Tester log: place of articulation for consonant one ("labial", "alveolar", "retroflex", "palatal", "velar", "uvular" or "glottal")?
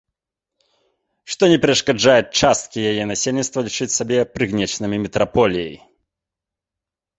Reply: retroflex